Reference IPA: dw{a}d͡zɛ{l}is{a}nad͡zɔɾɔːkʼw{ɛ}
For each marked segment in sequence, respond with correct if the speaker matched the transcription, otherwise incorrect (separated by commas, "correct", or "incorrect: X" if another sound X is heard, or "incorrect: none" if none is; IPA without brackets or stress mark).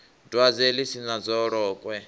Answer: correct, correct, incorrect: i, correct